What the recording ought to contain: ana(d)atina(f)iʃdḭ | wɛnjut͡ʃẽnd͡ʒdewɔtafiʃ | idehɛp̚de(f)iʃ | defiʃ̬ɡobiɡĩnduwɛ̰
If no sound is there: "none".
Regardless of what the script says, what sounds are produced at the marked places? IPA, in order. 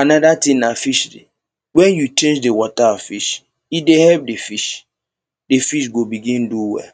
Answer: d, f, f

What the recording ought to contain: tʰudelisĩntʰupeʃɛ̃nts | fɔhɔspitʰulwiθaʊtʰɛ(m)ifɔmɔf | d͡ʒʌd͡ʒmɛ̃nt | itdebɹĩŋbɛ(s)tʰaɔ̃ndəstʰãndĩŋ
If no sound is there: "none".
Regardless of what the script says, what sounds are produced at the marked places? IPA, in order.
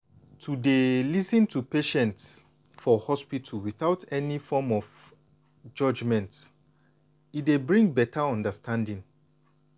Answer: n, none

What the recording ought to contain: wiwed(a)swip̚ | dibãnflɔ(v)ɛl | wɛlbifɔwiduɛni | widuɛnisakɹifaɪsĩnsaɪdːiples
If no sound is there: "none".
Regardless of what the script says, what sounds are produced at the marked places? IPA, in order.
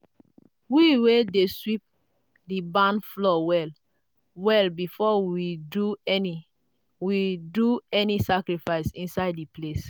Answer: e, w

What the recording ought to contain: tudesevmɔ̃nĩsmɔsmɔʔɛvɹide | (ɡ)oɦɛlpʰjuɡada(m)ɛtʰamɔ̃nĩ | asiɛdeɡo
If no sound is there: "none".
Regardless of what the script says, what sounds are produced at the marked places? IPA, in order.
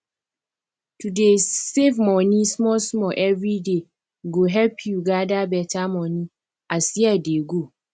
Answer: ɡ, b

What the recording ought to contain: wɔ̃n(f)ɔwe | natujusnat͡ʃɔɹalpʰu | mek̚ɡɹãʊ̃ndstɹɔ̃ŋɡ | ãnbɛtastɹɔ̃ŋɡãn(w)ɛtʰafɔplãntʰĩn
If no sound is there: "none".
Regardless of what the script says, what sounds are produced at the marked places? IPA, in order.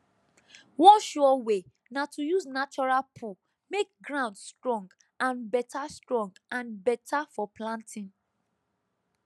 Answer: ʃ, b

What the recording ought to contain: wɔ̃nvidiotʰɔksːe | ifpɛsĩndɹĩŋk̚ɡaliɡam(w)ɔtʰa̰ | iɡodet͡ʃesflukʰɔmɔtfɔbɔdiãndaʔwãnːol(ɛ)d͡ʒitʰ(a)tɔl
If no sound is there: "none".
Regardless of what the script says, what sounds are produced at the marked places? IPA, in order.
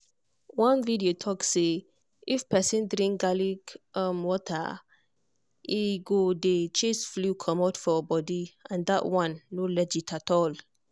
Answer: w, ɛ, a

